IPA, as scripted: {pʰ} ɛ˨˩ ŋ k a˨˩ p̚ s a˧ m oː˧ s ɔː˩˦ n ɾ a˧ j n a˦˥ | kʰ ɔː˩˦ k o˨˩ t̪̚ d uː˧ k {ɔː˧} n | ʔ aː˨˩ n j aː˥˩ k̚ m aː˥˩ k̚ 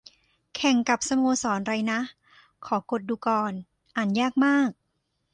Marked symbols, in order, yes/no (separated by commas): no, yes